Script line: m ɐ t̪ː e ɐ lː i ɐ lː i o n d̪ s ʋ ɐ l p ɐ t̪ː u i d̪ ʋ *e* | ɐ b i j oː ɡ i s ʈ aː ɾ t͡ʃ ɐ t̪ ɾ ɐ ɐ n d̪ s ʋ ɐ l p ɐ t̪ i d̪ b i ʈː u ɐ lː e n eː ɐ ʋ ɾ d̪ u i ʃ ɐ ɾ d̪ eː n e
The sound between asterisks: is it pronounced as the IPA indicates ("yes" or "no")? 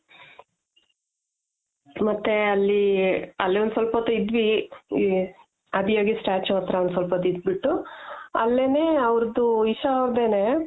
no